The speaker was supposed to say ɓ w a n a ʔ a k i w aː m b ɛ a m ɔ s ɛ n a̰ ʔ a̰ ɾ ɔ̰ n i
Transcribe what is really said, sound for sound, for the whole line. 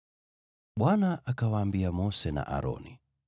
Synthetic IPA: ɓ w a n a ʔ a k a w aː m b i a m ɔ s ɛ n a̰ ʔ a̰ ɾ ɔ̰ n i